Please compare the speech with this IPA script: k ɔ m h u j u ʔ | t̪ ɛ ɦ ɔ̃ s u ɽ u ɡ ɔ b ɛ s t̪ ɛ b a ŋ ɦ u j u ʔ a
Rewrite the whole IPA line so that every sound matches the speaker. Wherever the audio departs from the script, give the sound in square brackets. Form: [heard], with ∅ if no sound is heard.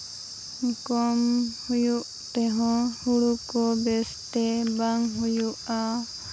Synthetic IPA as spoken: k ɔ m h u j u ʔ | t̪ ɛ ɦ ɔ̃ [h] u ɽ u [k] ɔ b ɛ s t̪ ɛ b a ŋ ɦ u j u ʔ a